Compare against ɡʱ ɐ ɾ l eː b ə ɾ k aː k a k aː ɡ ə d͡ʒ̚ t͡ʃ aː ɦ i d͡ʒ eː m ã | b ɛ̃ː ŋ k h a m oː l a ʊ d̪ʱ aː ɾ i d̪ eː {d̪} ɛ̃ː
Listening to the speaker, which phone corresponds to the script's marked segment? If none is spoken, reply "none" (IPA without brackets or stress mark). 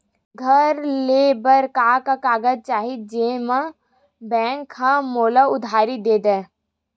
d̪